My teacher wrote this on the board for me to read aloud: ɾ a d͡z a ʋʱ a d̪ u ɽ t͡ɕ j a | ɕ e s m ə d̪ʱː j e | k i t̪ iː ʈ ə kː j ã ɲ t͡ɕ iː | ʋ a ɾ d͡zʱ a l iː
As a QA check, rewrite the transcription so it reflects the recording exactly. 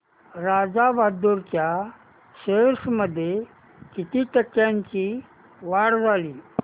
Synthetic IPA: ɾ a d͡z a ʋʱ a d̪ u ɾ t͡ɕ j a | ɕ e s m ə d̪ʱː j e | k i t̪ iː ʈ ə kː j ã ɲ t͡ɕ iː | ʋ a ɽ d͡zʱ a l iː